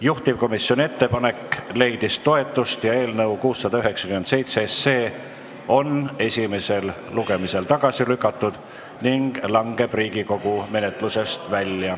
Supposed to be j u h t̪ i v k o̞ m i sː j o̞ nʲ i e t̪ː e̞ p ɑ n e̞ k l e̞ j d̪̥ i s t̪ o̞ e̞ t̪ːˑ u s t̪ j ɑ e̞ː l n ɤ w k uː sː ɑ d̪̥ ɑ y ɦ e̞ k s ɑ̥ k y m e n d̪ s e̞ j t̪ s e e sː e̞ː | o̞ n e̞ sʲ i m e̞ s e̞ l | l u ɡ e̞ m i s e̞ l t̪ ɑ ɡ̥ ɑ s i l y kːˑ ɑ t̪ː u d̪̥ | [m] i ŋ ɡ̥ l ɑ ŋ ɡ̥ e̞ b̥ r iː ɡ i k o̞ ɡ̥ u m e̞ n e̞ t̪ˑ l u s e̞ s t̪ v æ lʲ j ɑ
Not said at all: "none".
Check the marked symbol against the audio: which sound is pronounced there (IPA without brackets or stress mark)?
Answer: n